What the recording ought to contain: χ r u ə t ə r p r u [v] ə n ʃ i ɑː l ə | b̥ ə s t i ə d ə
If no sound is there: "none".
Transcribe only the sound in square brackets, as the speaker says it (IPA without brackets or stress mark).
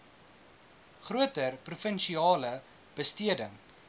f